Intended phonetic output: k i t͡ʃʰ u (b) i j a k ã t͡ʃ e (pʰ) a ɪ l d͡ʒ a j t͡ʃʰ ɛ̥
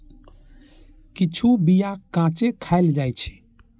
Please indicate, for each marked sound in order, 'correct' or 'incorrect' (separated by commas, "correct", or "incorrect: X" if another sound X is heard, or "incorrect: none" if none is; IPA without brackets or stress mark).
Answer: correct, incorrect: kʰ